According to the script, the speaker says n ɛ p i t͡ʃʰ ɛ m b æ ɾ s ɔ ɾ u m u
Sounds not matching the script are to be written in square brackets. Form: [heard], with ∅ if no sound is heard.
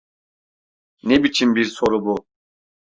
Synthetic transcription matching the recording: n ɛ [b] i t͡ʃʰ [i] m b [i] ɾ s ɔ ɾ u [b] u